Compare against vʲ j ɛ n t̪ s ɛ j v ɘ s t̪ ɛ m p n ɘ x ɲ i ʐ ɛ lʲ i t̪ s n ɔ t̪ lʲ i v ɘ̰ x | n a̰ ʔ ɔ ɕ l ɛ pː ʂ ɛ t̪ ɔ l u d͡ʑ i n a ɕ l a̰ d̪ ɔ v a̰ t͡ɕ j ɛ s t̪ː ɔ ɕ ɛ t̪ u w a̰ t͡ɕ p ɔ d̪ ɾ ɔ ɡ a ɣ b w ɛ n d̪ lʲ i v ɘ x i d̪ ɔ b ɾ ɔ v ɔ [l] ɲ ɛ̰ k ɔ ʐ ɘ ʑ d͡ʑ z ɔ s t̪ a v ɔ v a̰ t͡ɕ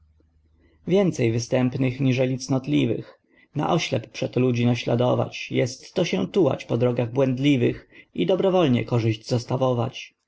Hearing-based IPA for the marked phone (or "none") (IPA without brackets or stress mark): l